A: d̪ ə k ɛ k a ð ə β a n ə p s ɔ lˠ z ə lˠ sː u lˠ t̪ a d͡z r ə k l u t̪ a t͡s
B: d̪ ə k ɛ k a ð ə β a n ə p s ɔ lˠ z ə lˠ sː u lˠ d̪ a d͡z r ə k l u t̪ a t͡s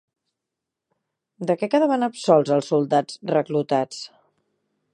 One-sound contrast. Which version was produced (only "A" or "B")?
B